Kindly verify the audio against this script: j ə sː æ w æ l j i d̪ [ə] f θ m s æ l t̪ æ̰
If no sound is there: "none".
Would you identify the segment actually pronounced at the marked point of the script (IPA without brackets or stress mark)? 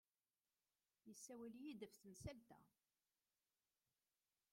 ə